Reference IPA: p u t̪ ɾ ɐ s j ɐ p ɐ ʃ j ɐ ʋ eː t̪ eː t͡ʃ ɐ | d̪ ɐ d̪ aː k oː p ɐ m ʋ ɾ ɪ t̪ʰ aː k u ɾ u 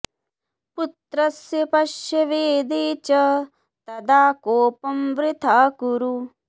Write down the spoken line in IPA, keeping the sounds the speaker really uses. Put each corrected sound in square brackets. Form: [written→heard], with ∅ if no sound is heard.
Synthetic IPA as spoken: p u t̪ ɾ ɐ s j ɐ p ɐ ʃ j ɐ ʋ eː [t̪→d̪] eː t͡ʃ ɐ | [d̪→t̪] ɐ d̪ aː k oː p ɐ m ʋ ɾ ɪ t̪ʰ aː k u ɾ u

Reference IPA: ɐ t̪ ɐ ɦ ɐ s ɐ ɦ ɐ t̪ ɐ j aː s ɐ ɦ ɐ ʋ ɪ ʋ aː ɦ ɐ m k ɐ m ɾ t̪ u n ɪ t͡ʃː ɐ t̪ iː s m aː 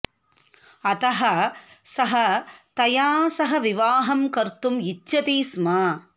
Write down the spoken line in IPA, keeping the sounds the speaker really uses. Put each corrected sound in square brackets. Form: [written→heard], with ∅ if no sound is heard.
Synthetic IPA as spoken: ɐ t̪ ɐ ɦ ɐ s ɐ ɦ ɐ t̪ ɐ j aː s ɐ ɦ ɐ ʋ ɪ ʋ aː ɦ ɐ m k ɐ [m→∅] ɾ t̪ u [n→m] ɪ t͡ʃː ɐ t̪ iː s m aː

